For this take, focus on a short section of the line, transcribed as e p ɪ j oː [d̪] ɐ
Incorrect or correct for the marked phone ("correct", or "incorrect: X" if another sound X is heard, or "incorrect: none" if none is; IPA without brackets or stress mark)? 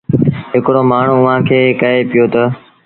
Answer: incorrect: t̪